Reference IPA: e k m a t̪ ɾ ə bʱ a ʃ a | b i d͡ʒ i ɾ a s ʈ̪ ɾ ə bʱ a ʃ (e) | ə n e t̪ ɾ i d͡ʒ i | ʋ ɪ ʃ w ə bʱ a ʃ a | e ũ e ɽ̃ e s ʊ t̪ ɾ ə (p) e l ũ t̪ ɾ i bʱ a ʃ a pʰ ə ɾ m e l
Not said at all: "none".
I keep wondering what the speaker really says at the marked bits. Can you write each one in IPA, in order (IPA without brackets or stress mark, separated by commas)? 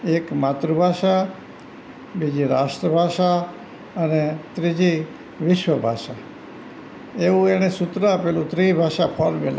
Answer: a, p